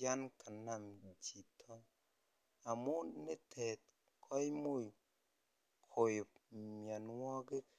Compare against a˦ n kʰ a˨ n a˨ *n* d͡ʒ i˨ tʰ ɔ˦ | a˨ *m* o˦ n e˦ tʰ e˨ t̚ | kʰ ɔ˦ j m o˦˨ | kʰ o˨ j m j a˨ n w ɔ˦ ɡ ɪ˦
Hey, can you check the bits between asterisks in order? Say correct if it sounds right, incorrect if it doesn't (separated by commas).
incorrect, correct